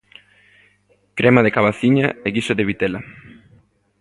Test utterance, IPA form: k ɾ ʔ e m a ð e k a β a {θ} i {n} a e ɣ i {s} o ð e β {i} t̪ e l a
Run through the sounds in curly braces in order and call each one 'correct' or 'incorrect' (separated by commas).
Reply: correct, incorrect, correct, correct